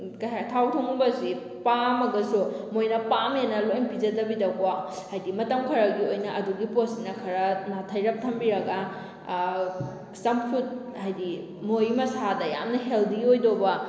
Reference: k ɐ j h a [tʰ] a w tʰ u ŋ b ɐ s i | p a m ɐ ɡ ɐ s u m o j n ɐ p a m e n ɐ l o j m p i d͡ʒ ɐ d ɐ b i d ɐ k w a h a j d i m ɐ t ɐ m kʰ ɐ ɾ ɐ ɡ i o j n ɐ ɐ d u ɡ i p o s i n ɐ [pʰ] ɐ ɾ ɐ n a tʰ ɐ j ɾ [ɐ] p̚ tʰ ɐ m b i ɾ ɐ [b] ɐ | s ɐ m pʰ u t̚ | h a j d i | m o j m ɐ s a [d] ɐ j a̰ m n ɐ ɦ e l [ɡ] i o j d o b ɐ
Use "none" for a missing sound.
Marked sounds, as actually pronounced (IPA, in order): tʰ, kʰ, ɐ, ɡ, d, d

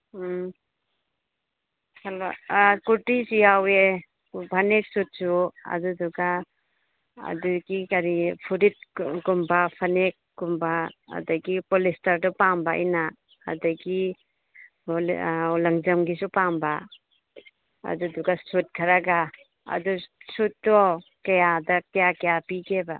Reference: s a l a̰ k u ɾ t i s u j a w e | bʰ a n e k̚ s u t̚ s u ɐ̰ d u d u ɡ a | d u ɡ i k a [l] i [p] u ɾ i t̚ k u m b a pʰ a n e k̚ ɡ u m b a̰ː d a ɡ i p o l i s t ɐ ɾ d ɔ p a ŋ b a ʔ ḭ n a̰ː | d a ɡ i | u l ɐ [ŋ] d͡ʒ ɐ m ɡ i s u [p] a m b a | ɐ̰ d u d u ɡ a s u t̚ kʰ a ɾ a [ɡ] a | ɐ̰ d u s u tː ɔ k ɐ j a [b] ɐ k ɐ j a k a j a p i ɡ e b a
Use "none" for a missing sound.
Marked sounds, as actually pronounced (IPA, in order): ɾ, pʰ, ŋ, p, ɡ, d

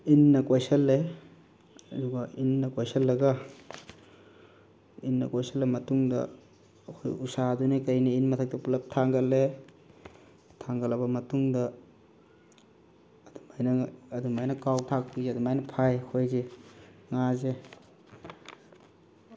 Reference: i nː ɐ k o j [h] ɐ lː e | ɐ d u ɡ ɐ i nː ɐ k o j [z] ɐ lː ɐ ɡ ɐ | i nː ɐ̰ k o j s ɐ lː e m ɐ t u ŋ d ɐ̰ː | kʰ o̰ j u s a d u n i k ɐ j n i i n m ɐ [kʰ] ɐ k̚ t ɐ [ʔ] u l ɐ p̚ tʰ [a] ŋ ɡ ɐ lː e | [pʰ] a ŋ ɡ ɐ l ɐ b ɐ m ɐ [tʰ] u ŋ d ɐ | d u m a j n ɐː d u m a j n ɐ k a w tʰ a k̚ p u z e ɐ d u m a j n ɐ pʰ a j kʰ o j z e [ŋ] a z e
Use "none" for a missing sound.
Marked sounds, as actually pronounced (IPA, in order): s, s, tʰ, p, a, tʰ, t, ŋ

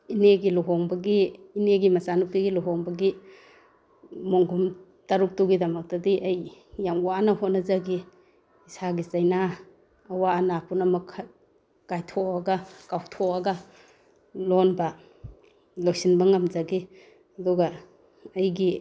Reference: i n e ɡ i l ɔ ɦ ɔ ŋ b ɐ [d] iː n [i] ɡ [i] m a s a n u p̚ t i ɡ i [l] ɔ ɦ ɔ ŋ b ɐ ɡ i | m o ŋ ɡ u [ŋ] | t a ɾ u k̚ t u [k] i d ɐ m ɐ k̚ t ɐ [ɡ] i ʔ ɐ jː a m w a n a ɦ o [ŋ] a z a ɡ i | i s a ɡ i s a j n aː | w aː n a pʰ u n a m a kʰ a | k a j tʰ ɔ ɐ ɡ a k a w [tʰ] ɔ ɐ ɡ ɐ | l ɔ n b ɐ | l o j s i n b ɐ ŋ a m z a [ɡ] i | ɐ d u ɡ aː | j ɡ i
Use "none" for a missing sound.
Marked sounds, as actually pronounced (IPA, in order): ɡ, e, i, l, m, ɡ, d, n, tʰ, ɡ

